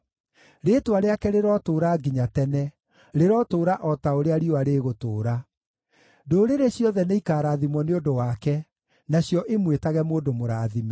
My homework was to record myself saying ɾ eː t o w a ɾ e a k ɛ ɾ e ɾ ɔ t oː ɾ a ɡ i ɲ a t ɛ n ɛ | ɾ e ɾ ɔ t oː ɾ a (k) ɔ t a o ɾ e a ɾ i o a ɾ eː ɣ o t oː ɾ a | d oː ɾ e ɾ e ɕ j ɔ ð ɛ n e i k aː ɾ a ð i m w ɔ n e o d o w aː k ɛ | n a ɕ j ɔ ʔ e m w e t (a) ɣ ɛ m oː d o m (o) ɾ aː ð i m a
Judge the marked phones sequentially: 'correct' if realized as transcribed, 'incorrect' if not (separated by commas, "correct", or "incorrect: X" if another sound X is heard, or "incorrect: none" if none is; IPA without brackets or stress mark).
incorrect: ʔ, correct, correct